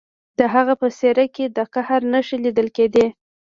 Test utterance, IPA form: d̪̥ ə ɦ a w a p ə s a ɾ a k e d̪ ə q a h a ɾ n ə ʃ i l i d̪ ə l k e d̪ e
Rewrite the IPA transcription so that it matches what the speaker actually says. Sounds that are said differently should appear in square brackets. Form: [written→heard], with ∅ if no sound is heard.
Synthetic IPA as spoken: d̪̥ ə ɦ a [w→ɣ] a p ə s [a→e] ɾ a k e d̪ ə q a h a ɾ n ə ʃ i l i d̪ ə l k e d̪ e